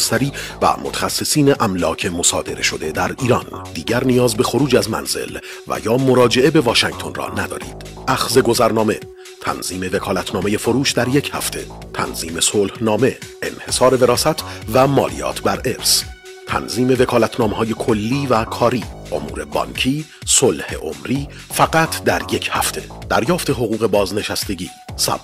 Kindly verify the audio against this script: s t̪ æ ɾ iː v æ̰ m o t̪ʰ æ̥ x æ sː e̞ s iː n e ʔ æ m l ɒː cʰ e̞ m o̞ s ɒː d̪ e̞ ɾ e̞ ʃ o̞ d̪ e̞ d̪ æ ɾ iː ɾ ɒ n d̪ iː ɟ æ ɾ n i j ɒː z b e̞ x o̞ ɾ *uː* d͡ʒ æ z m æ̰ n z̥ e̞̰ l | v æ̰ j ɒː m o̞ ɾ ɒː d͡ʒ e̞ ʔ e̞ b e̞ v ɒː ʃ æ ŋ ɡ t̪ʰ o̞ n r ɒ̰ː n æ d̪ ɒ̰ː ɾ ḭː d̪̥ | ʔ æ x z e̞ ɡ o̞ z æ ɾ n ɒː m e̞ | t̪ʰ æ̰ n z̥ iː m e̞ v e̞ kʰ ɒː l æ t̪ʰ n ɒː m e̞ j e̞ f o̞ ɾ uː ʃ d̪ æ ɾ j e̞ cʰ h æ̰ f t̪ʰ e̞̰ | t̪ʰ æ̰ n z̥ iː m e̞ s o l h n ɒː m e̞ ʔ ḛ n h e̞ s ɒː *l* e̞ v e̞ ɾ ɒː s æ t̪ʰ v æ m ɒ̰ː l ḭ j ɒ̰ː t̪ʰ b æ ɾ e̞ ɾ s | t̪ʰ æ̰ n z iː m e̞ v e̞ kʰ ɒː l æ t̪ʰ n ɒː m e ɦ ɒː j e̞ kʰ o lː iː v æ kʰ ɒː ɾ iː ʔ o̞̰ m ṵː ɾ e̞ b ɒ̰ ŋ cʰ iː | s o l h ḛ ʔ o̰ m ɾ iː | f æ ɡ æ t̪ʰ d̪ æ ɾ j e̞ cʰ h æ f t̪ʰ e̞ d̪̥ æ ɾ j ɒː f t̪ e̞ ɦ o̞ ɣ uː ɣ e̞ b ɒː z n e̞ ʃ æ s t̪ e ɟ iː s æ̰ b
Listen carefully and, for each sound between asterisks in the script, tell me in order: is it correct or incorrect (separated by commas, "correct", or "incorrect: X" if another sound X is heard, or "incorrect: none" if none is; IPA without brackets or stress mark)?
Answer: correct, incorrect: ɾ